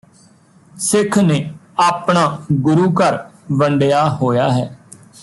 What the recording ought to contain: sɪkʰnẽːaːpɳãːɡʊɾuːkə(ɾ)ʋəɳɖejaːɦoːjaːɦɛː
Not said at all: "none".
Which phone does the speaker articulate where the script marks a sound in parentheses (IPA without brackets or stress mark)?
ɾ